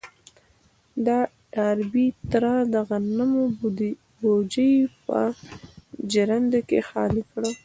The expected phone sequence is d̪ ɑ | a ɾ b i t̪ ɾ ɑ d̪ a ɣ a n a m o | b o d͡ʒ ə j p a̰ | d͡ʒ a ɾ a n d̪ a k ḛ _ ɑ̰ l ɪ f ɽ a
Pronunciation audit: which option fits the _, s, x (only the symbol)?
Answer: x